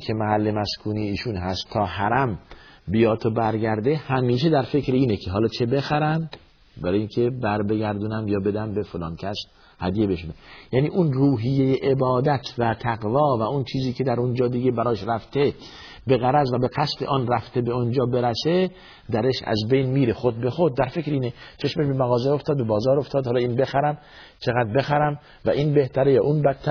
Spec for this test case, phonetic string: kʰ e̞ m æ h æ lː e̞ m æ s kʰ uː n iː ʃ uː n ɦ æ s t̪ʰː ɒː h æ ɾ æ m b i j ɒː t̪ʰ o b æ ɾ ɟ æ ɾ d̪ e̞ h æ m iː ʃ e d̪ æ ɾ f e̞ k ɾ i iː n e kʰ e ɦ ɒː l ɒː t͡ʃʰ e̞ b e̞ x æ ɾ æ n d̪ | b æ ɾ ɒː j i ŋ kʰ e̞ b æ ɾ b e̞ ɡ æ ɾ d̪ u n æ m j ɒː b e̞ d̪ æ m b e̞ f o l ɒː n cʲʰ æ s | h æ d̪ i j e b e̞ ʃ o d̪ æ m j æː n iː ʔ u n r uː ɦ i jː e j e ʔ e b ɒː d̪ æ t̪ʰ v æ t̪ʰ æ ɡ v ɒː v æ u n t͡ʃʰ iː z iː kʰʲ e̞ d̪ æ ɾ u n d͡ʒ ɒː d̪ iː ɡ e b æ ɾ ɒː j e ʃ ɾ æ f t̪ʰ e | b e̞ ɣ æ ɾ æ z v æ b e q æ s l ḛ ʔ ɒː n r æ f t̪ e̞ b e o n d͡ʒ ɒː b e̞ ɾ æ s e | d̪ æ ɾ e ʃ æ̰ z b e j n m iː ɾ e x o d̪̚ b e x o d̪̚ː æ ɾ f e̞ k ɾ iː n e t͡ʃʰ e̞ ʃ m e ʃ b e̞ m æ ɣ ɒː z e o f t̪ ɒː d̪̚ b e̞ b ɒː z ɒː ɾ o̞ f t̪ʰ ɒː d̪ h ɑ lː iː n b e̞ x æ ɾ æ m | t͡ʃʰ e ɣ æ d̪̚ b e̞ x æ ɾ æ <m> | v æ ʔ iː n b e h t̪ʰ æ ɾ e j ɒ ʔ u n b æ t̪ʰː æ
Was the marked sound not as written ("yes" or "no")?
no